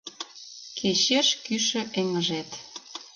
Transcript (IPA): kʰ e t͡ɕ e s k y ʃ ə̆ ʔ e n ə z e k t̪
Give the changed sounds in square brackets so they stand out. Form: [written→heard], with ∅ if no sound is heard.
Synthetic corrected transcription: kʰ e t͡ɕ e [s→ʃ] k y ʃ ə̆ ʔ e [n→ŋ] ə [z→ʒ] e [k→∅] t̪